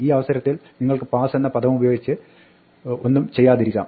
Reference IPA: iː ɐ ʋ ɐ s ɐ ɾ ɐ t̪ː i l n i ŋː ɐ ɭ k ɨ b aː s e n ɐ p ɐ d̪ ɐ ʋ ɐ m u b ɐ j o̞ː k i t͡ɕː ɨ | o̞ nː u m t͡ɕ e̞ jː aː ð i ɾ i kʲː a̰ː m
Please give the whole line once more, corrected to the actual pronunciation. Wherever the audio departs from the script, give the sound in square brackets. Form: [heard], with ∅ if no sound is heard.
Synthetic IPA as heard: iː ɐ ʋ ɐ s ɐ ɾ ɐ t̪ː i l n i ŋː ɐ ɭ k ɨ [p] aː s e [nː] ɐ p ɐ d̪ ɐ ʋ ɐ m u b ɐ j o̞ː [ɡ] i t͡ɕː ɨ | o̞ nː u m t͡ɕ e̞ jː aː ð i ɾ i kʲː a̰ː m